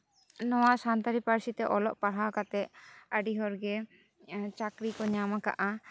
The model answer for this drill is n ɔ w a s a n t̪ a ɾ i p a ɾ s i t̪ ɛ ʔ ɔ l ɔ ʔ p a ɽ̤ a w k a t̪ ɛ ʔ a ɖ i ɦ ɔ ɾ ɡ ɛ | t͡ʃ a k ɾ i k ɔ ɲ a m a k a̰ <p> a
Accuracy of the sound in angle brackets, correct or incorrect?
incorrect